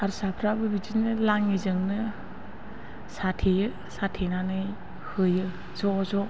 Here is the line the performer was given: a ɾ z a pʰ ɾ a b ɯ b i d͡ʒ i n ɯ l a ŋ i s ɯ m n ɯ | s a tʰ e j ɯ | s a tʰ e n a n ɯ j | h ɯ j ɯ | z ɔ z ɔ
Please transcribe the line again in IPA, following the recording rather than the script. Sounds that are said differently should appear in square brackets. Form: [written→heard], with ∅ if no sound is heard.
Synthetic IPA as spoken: a ɾ [z→s] a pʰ ɾ a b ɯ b i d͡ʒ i n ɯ l a ŋ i [s→z] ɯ [m→ŋ] n ɯ | s a tʰ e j ɯ | s a tʰ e n a n ɯ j | h ɯ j ɯ | z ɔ z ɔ